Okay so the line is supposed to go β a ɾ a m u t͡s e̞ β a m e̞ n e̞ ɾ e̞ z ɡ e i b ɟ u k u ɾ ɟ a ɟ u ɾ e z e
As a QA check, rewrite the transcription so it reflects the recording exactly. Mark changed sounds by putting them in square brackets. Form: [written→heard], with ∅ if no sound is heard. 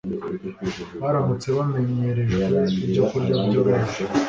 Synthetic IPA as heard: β a ɾ a m u t͡s e̞ β a m e̞ [n→ɲ] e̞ ɾ e̞ [z→ʒ] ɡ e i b ɟ [u→o] k u ɾ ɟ a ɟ [u→o] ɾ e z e